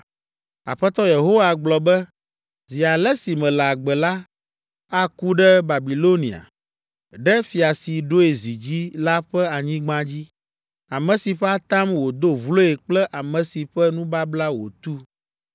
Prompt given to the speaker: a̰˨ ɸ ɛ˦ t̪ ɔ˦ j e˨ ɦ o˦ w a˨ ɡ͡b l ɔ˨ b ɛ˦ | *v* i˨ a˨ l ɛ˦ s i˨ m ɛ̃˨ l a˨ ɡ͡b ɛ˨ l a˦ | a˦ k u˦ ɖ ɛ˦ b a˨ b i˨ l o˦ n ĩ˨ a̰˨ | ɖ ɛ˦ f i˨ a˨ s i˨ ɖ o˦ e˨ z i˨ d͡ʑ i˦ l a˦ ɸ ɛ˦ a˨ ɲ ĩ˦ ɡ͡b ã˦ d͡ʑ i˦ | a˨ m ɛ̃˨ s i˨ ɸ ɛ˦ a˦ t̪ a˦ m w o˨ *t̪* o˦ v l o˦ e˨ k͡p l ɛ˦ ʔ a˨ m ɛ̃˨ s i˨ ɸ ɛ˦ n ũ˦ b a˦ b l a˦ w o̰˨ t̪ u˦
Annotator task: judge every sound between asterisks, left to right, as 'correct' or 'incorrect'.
incorrect: z, incorrect: d̪

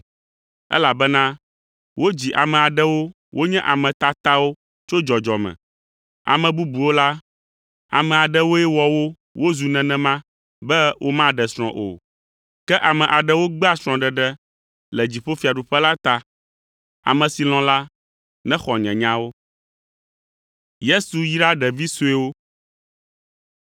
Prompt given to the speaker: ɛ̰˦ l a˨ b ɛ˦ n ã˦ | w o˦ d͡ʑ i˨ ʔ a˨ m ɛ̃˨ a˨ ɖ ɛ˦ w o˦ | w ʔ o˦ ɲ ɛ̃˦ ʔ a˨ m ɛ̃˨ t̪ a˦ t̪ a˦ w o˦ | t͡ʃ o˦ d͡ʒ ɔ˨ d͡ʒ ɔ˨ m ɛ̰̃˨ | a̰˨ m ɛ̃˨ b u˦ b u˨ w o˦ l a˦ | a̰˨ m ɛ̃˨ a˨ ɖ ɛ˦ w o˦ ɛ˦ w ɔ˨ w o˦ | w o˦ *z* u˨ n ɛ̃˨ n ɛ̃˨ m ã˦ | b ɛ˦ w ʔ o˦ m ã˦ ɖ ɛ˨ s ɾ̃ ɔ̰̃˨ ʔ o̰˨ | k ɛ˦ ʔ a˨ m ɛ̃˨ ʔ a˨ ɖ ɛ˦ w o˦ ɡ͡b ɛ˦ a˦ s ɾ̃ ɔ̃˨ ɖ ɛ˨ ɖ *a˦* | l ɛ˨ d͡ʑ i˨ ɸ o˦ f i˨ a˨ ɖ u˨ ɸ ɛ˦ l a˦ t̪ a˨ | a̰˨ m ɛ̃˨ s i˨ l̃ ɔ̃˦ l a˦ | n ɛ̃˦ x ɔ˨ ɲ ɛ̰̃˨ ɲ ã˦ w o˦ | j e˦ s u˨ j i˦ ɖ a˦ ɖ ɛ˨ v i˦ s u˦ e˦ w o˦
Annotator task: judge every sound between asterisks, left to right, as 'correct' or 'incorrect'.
correct, incorrect: ɛ˦

